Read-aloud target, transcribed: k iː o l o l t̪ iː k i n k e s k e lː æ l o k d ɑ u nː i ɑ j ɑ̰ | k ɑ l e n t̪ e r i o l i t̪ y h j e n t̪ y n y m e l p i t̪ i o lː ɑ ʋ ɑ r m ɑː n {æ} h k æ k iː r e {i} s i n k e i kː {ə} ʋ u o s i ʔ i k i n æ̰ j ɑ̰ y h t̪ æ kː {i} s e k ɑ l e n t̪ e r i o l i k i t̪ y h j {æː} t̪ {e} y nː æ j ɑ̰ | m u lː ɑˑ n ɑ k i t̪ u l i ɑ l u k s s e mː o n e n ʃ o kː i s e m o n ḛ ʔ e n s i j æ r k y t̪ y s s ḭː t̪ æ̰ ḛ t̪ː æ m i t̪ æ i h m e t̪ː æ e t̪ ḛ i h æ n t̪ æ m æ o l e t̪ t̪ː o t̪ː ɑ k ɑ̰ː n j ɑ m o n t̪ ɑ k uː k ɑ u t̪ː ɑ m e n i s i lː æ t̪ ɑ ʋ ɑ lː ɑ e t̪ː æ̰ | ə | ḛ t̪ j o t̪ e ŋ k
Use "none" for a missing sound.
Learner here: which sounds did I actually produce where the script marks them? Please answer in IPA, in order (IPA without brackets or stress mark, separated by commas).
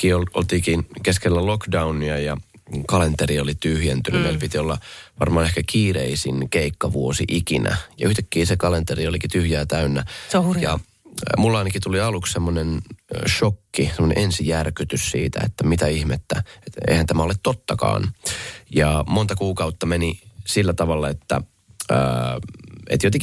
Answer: e, i, ɑ, iː, æː, æ